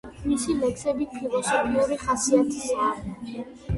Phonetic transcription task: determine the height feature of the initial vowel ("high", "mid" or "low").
high